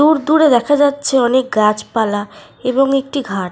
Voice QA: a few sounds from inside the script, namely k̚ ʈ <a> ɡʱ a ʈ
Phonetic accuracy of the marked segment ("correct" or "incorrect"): incorrect